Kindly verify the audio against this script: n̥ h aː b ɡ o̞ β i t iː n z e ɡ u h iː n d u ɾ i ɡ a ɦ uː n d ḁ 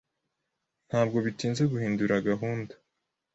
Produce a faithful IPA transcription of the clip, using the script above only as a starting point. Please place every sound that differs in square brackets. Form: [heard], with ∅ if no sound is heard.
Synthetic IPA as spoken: n̥ h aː b ɡ o̞ β i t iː n z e ɡ u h iː n d u ɾ [a] ɡ a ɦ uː n d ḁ